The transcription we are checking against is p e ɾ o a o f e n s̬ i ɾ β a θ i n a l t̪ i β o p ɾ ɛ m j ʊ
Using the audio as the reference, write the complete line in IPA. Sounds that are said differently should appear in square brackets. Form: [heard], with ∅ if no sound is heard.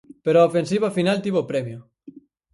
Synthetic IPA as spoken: p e ɾ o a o f e n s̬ i [∅] β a [f] i n a l t̪ i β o p ɾ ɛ m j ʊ